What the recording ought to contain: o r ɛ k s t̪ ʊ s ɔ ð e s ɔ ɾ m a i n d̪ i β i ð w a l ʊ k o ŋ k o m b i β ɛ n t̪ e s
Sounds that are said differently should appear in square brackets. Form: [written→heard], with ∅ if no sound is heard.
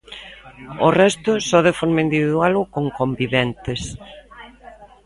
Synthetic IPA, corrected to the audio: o r ɛ [k→∅] s t̪ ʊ s ɔ ð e [s→f] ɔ ɾ m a i n d̪ i β i ð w a l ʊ k o ŋ k o m b i β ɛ n t̪ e s